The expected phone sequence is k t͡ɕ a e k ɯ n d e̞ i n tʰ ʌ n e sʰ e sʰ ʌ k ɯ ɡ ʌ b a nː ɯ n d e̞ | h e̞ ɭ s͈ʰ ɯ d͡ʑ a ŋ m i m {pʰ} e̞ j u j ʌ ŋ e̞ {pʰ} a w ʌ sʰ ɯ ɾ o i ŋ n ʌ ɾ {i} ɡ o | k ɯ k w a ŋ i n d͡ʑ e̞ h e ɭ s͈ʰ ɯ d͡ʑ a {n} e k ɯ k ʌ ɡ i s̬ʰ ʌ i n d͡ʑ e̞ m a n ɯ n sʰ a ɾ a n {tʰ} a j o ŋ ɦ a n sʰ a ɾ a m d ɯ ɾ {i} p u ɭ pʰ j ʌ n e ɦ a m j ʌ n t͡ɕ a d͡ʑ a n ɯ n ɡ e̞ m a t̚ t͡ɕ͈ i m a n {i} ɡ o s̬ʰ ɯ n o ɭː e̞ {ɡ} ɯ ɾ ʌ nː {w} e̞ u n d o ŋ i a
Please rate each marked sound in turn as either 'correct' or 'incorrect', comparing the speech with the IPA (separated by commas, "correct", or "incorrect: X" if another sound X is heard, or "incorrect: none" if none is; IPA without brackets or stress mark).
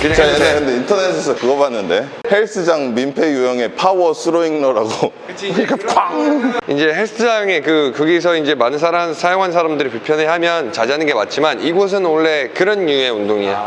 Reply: correct, correct, incorrect: a, incorrect: ŋ, incorrect: sʰ, correct, correct, incorrect: k, incorrect: u